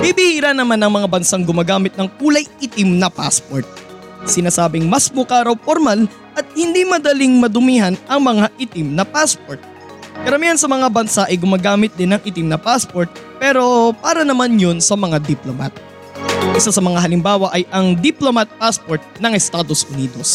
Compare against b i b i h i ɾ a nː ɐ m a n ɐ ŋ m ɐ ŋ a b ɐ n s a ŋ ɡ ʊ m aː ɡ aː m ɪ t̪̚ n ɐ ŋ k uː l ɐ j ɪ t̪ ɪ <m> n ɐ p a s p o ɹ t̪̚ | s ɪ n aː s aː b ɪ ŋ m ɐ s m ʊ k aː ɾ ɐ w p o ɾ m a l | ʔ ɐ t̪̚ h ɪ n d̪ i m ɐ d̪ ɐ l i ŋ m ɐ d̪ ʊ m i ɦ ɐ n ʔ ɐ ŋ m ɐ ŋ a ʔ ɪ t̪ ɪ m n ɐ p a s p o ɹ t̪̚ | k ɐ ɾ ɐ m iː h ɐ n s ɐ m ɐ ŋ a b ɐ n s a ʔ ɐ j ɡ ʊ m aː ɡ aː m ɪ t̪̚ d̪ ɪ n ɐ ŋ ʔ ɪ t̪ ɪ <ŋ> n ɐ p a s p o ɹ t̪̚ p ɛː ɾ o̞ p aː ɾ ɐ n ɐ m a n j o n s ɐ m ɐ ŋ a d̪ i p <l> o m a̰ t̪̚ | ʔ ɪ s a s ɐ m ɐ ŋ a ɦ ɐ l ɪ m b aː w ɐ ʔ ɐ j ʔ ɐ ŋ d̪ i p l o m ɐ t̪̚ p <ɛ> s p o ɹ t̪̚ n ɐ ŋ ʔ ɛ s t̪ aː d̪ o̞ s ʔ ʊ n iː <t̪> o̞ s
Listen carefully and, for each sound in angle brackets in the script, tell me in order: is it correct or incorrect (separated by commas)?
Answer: correct, incorrect, correct, incorrect, incorrect